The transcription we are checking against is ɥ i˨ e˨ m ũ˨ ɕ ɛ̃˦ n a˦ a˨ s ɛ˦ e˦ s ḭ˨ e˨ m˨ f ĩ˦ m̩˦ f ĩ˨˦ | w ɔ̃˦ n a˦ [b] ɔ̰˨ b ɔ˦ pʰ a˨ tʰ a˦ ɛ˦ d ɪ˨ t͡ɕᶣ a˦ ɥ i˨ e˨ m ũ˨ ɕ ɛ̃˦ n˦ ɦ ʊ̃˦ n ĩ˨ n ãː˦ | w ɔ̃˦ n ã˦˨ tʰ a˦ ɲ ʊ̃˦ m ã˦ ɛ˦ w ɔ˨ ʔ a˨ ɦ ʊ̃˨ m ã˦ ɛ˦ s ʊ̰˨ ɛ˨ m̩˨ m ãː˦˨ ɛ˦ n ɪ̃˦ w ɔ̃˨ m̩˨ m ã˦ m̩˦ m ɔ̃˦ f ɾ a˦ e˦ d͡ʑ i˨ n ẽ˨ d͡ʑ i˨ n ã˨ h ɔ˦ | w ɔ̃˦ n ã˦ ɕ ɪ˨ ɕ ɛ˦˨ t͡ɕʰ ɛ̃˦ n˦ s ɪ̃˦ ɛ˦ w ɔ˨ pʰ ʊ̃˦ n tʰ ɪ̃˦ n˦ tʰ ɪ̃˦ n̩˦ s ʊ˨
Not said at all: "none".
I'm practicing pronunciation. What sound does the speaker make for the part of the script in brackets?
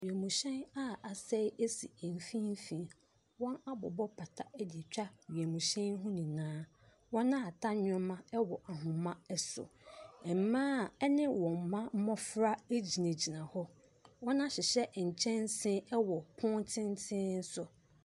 b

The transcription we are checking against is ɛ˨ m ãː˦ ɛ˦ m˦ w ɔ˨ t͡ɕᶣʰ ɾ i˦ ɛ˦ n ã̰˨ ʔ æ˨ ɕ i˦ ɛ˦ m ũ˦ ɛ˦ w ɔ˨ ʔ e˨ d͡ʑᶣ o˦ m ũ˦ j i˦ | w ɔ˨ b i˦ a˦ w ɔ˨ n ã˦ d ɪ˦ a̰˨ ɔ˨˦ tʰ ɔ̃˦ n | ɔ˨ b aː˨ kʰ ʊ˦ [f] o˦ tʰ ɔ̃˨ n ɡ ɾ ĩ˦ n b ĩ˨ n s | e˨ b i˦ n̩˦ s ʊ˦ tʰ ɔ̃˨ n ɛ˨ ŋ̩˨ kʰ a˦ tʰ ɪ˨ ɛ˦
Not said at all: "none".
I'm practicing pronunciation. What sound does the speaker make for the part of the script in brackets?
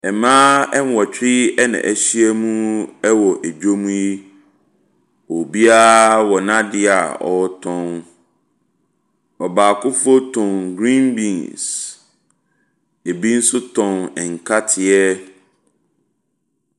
f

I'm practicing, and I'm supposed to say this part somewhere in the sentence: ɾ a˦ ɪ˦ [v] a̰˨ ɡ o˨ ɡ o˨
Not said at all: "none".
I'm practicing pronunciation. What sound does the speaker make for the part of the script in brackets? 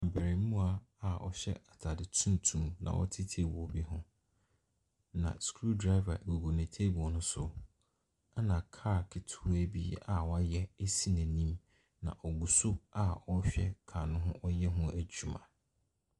v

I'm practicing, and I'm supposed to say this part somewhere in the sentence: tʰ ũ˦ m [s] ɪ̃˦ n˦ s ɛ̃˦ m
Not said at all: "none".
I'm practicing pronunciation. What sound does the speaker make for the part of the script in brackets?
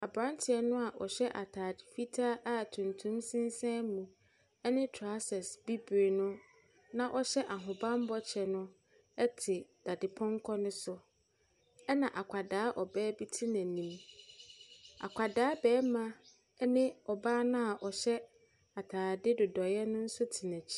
s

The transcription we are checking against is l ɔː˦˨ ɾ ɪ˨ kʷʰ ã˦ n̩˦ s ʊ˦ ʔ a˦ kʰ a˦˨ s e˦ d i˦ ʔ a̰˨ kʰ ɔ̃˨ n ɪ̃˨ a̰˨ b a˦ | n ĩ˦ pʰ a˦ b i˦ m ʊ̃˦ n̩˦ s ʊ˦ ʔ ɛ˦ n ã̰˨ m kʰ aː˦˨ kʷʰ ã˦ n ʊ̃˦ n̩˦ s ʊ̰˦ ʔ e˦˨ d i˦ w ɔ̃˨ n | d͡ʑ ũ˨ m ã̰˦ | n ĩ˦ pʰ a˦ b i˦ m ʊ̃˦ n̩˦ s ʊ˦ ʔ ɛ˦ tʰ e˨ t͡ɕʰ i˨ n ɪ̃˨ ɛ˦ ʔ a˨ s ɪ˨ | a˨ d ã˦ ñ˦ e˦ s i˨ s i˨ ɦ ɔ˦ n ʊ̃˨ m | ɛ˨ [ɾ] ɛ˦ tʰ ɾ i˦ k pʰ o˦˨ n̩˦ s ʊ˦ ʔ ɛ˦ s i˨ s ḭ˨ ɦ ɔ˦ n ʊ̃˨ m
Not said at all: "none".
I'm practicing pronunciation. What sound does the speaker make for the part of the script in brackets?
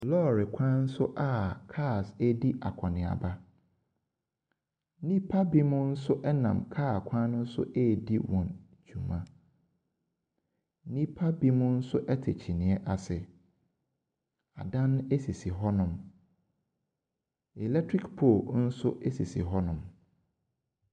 l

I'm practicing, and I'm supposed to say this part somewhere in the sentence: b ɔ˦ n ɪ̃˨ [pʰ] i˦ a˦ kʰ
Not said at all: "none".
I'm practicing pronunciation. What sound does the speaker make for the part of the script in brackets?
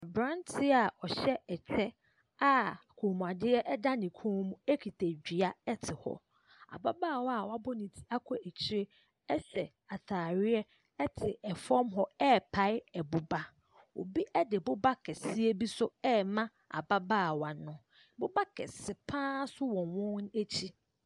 tʰ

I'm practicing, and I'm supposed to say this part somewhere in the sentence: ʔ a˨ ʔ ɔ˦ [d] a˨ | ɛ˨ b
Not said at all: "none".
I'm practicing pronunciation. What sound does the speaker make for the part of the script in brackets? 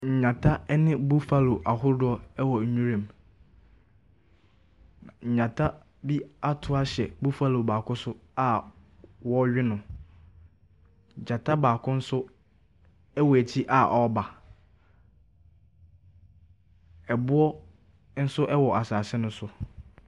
b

